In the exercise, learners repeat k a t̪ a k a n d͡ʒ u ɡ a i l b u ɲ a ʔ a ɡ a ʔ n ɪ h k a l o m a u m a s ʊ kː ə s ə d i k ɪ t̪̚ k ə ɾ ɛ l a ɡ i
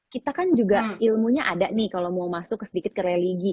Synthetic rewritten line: k i t̪ a k a n d͡ʒ u ɡ a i l m u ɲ a ʔ a d a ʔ n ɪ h k a l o m a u m a s ʊ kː ə s ə d i k ɪ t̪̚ k ə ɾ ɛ l i ɡ i